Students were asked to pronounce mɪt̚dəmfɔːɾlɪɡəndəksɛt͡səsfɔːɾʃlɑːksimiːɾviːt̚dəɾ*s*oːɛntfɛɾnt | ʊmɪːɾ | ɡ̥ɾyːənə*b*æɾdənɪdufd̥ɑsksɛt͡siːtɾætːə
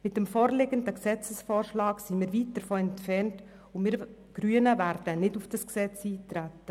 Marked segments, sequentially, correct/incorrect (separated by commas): incorrect, incorrect